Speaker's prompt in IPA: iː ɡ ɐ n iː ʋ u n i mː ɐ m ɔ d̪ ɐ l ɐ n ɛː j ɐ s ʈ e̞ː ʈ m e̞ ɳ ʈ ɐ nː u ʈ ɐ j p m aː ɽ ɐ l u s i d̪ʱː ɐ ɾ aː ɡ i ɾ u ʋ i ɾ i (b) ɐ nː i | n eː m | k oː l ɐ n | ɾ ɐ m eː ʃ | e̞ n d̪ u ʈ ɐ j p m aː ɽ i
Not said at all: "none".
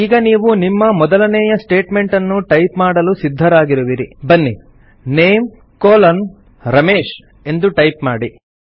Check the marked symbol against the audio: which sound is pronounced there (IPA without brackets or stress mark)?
b